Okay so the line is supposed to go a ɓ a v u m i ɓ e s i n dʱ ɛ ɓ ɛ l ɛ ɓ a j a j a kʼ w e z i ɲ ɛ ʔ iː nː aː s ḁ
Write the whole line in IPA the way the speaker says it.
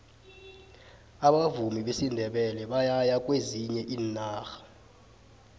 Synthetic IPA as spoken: a ɓ a v u m i ɓ e s i n dʱ ɛ ɓ ɛ l ɛ ɓ a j a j a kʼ w e z i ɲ ɛ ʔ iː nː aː x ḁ

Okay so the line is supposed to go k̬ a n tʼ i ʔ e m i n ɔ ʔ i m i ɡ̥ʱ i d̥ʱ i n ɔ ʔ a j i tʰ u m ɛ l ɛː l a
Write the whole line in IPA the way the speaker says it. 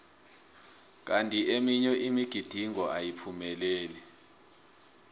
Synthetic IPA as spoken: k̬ a n tʼ i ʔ e m i ɲ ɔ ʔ i m i ɡ̥ʱ i d̥ʱ i ŋ ɔ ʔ a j i pʰ u m ɛ l ɛː l ɛ

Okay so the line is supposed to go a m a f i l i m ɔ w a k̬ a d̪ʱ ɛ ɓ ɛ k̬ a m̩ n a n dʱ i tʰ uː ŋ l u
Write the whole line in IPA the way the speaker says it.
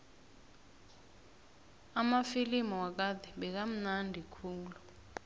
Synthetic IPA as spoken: a m a f i l i m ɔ w a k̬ a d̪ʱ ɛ ɓ ɛ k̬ a m̩ n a n dʱ i kʰ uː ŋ l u

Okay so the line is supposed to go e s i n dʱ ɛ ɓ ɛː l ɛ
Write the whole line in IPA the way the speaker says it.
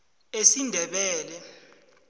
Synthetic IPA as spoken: e s i n dʱ ɛ ɓ ɛː l ɛ

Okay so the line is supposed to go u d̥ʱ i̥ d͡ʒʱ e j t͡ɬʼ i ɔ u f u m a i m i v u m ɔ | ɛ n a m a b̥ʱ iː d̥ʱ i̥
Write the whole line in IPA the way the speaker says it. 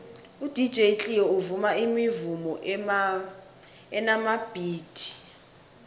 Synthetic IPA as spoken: u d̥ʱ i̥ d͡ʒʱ e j t͡ɬʼ i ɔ u v u m a i m i v u m ɔ | ɛ n a m a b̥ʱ iː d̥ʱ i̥

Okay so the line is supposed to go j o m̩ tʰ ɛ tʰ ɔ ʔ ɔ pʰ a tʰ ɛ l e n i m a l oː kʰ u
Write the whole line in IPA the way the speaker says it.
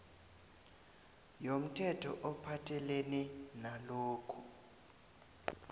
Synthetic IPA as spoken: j o m̩ tʰ ɛ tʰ ɔ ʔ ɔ pʰ a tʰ ɛ l e n i n a l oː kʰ u

